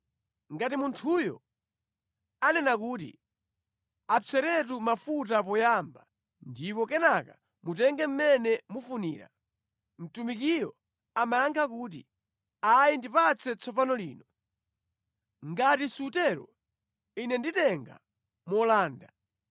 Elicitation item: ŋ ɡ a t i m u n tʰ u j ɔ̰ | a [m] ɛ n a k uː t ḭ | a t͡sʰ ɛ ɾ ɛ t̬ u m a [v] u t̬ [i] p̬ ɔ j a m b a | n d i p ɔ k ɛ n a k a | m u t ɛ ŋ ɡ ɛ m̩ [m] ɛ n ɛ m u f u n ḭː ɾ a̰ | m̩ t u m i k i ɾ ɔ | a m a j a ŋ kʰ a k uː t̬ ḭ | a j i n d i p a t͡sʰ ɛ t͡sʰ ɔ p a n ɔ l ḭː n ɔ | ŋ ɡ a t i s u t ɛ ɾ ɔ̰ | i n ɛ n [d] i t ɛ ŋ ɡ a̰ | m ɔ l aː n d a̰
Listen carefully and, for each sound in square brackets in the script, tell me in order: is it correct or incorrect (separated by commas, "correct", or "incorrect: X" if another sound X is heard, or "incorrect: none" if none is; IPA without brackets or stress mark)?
incorrect: n, incorrect: f, incorrect: a, correct, correct